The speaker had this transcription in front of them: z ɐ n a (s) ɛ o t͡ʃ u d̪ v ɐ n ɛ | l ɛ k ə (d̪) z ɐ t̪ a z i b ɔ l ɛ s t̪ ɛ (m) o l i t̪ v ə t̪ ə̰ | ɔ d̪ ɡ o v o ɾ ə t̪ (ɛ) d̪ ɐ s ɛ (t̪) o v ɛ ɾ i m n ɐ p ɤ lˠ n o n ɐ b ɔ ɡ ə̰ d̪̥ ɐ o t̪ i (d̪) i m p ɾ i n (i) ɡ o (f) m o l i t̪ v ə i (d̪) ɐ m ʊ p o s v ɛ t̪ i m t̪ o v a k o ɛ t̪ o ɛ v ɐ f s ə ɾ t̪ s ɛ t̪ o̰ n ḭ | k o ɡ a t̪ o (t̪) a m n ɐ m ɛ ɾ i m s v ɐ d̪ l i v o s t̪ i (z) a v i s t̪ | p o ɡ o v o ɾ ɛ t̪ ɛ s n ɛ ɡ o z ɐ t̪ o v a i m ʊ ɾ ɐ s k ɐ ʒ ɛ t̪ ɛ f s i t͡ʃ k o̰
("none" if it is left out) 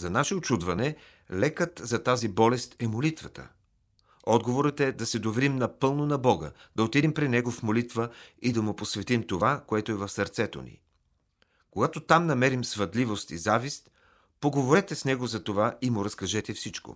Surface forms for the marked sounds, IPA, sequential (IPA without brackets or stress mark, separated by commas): ʃ, t̪, m, ɛ, d̪, d̪, ɛ, f, d̪, t̪, z